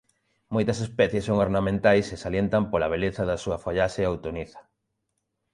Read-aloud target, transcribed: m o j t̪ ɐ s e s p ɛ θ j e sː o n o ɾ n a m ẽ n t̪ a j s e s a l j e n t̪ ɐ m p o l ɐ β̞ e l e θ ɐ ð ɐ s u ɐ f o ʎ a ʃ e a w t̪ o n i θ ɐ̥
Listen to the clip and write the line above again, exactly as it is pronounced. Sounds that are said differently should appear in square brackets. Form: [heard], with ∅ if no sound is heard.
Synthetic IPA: m o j t̪ ɐ s e s p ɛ θ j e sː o [ŋ] o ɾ n a m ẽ n t̪ a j s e s a l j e n t̪ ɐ m p o l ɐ β̞ e l e θ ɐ ð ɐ s u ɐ f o ʎ a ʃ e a w t̪ o n i θ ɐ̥